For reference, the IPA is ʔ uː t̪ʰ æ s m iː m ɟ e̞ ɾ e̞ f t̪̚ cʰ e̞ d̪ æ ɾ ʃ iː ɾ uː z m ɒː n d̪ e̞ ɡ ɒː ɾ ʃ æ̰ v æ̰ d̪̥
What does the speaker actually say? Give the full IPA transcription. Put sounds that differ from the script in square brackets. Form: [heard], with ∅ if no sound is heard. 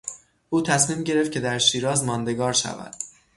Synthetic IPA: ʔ uː t̪ʰ æ s m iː m ɟ e̞ ɾ e̞ f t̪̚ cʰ e̞ d̪ æ ɾ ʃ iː ɾ [ɒː] z m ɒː n d̪ e̞ ɡ ɒː ɾ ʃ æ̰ v æ̰ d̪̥